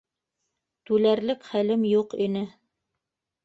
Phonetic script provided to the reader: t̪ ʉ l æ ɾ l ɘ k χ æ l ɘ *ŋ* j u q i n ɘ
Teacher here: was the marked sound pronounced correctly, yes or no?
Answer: no